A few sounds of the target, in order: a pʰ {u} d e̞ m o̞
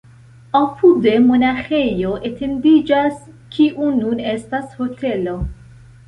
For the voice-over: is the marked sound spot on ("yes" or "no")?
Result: yes